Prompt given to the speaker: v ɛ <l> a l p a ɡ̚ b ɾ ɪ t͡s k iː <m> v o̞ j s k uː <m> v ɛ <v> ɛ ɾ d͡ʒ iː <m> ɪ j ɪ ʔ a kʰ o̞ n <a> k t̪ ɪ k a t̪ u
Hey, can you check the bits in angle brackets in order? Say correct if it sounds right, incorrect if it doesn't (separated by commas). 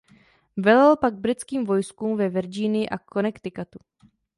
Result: correct, correct, correct, correct, incorrect, incorrect